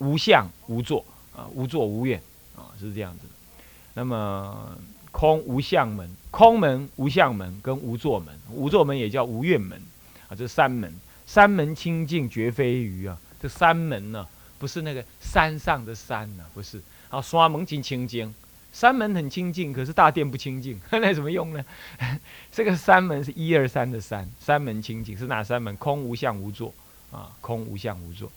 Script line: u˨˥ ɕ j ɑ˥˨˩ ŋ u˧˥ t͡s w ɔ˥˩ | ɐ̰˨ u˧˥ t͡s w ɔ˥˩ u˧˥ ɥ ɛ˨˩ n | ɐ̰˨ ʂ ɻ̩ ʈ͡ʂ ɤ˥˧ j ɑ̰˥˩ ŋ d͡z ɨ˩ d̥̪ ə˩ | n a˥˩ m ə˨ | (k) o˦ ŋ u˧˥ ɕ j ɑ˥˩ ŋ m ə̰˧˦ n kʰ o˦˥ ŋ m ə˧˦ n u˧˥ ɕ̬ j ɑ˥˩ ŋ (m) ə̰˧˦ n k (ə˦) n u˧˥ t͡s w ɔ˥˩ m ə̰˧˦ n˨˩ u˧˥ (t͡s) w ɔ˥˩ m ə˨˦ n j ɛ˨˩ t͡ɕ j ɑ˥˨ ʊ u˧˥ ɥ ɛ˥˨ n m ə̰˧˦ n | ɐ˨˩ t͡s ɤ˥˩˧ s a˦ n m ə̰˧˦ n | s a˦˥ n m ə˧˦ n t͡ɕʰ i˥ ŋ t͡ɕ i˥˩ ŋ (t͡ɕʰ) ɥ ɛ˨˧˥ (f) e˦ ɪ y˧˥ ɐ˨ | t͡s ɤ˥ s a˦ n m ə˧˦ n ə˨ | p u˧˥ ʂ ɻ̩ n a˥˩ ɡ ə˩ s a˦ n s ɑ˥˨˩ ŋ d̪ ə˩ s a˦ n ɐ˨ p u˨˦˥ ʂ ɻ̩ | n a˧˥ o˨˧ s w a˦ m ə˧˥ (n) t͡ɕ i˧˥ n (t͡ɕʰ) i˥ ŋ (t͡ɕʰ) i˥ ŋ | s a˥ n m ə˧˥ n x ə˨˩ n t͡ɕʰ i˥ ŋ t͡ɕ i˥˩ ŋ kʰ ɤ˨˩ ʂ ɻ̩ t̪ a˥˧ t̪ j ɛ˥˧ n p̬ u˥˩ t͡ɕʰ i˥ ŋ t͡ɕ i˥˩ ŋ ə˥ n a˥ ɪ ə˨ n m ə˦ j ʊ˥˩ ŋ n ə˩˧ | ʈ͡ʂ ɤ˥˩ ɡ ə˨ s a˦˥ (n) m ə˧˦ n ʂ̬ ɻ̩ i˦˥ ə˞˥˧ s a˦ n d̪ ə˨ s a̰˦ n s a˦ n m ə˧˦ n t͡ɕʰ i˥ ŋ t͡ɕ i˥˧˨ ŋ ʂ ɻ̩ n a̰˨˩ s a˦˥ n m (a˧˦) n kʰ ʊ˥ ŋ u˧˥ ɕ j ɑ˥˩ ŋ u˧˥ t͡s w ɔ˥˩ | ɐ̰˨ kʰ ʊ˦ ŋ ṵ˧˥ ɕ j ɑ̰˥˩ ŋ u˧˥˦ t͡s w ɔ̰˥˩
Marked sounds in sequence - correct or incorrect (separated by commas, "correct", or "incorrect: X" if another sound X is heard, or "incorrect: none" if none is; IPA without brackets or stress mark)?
incorrect: kʰ, correct, correct, correct, incorrect: t͡ɕ, correct, incorrect: ŋ, correct, incorrect: t͡ɕ, correct, incorrect: ə˧˦